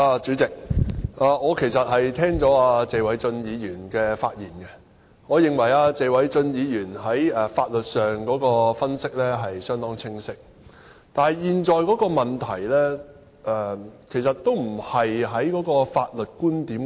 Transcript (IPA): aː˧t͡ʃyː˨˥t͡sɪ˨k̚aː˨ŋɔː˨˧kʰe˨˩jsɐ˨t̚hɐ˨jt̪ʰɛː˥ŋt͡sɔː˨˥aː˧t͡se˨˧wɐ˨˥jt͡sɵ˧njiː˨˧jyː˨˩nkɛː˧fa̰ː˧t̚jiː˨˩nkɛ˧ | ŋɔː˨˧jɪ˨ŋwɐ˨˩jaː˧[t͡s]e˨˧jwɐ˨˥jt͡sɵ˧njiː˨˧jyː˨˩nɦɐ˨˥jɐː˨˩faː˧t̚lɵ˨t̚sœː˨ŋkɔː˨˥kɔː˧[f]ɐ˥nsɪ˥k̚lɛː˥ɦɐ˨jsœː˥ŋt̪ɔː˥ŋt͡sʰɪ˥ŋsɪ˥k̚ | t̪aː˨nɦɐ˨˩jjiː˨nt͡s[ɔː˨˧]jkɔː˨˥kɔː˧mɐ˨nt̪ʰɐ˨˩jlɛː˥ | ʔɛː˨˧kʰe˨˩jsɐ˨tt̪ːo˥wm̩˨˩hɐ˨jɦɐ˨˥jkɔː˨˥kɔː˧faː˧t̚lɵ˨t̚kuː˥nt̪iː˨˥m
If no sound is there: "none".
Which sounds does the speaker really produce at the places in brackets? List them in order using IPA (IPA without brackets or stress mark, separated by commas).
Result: t͡s, f, ɔː˨˧